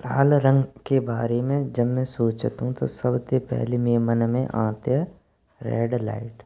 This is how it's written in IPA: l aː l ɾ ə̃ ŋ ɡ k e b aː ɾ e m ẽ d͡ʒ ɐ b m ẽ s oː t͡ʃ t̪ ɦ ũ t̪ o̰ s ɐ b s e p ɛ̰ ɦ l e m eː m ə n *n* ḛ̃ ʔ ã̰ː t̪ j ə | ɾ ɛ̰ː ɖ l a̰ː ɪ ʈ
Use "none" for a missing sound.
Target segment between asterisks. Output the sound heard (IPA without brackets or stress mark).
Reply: m